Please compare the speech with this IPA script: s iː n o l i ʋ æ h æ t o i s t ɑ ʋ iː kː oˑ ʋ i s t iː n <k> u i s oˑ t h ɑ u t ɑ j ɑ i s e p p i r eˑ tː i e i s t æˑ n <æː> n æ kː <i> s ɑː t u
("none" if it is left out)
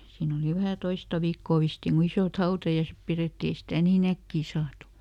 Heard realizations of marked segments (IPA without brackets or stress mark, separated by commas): k, iː, iː